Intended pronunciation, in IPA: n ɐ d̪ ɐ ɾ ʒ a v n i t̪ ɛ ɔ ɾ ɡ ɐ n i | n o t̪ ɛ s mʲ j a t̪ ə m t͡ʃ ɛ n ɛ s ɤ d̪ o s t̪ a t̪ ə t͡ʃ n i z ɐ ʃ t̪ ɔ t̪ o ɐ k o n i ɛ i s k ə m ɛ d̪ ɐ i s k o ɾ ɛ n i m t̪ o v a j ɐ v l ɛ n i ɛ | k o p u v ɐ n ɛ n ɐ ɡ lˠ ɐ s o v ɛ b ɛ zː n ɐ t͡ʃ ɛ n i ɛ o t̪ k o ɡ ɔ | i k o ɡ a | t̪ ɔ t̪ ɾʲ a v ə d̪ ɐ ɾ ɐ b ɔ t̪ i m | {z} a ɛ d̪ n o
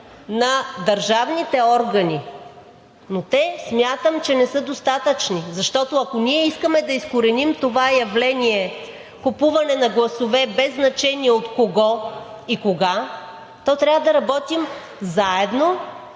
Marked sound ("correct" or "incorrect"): correct